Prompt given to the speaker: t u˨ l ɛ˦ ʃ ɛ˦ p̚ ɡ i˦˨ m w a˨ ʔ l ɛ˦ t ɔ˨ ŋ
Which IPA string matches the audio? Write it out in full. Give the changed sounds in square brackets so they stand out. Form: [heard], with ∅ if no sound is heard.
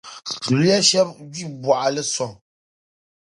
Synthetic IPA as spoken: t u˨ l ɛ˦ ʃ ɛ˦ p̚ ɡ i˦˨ [b] w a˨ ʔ l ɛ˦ [s] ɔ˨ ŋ

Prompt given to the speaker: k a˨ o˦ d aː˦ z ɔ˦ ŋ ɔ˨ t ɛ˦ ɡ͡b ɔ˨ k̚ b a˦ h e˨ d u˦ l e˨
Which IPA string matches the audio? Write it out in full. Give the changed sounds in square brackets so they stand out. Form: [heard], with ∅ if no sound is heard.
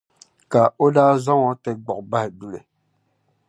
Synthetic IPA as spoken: k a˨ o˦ d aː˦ z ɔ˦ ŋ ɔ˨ t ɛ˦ ɡ͡b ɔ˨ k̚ b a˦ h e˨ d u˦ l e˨

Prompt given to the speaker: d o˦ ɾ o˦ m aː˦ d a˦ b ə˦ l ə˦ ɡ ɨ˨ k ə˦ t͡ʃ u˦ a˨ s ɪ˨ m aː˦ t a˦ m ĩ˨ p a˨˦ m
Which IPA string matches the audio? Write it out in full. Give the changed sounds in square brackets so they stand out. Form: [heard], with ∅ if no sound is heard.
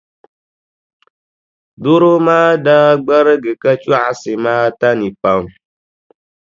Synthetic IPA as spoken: d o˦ ɾ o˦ m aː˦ d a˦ [ɡ͡b] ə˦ [ɾ] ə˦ ɡ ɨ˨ k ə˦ t͡ʃ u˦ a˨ s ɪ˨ m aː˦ t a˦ [n] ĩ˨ p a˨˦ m

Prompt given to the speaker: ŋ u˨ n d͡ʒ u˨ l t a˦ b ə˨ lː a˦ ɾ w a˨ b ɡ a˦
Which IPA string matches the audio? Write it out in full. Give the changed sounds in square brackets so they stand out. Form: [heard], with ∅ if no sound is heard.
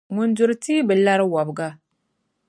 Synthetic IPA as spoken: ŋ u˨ n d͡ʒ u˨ [ɾ] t [i˦] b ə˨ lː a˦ ɾ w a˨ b ɡ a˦

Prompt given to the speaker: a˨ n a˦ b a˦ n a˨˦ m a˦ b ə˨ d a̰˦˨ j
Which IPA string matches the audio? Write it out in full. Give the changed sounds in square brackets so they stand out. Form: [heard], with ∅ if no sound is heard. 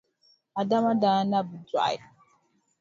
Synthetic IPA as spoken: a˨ [d] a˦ [m] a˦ [d] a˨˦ [n] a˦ b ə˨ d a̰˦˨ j

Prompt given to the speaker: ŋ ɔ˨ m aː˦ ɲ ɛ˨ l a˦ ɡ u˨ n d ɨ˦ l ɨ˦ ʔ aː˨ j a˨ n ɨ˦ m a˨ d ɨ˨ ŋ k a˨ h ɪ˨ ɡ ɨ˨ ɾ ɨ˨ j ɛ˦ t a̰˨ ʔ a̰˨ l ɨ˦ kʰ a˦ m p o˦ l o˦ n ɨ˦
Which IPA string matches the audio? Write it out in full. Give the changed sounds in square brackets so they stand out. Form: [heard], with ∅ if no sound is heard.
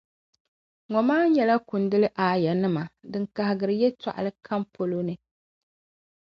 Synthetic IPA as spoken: ŋ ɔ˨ m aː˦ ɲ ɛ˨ l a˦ [k] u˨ n d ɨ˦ l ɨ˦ ʔ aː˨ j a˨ n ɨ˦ m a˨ d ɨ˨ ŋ k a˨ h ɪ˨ ɡ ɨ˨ ɾ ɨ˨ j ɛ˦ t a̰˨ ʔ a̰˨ l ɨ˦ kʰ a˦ m p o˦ l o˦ n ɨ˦

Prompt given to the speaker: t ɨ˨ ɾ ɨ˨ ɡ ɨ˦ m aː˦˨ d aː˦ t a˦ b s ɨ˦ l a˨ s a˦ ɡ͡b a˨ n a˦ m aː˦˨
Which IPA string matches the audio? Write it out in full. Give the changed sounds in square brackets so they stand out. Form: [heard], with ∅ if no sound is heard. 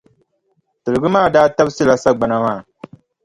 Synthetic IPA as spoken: t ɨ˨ ɾ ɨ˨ ɡ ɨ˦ m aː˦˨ d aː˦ t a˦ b s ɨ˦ l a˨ s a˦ ɡ͡b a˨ n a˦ m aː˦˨

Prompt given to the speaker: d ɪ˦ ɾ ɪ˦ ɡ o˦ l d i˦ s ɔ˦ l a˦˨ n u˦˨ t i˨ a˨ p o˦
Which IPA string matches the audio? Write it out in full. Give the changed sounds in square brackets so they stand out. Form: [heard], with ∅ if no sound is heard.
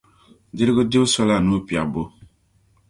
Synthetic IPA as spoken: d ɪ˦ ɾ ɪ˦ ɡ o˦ [∅] d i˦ s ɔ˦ l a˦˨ n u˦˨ [p] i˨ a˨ [b] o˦

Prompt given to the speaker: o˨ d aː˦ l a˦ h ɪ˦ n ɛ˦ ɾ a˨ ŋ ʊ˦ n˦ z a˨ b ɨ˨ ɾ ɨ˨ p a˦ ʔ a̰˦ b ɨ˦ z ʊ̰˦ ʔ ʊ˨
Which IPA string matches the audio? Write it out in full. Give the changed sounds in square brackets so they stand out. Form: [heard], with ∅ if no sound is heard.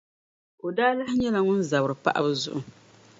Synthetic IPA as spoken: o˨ d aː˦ l a˦ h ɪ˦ [ɲ] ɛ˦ [l] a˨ ŋ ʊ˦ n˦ z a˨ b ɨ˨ ɾ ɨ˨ p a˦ ʔ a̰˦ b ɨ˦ z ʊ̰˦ ʔ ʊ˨

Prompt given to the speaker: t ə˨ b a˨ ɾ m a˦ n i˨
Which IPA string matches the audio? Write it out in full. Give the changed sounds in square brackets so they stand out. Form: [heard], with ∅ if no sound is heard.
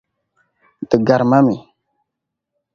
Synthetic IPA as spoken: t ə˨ [ɡ] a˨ ɾ m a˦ [m] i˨

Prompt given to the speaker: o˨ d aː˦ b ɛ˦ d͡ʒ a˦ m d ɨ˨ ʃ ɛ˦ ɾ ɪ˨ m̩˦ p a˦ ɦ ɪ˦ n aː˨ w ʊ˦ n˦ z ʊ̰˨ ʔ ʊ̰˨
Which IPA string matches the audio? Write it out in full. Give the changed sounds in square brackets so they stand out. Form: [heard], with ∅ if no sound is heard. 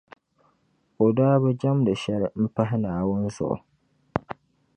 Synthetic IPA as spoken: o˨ d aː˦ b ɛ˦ d͡ʒ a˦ m d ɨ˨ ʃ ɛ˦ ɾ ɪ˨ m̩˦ p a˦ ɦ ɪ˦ n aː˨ w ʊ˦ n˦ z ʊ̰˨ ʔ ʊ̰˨

